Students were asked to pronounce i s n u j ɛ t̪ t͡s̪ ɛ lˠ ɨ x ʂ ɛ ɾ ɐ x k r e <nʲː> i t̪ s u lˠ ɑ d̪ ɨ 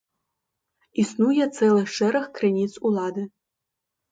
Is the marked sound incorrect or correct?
incorrect